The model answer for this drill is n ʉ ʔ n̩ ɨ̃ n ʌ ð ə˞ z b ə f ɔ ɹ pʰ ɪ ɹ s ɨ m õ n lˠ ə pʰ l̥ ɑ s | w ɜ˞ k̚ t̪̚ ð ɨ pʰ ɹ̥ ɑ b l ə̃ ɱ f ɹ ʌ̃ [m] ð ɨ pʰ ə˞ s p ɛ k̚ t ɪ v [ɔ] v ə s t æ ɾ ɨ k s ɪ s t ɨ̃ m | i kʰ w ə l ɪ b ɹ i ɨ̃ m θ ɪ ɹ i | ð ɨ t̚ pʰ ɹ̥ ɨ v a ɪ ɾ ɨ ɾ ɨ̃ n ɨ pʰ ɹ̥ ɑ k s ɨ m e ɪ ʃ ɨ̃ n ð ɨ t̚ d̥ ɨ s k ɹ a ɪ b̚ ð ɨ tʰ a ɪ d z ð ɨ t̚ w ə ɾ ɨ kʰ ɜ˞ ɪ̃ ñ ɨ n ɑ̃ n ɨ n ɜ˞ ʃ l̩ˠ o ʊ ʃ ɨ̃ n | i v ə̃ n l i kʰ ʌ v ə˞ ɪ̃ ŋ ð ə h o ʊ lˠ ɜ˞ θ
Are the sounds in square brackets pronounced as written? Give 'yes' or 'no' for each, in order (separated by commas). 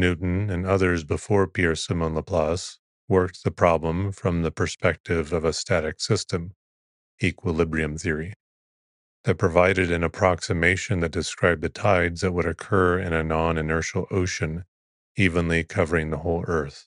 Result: yes, no